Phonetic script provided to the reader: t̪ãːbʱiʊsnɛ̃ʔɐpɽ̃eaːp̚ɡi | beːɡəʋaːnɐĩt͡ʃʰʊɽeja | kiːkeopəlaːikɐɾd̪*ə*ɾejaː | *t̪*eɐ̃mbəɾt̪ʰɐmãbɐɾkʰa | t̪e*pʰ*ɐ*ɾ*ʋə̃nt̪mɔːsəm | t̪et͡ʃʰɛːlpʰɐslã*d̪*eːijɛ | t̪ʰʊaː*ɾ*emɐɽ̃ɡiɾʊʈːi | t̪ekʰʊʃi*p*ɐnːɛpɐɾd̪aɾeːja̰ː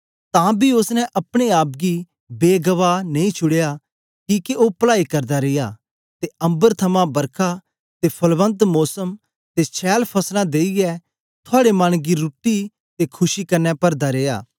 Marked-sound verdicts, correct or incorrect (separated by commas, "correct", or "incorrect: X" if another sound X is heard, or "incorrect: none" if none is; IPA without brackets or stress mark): incorrect: a, correct, correct, incorrect: l, correct, incorrect: ɽ, incorrect: k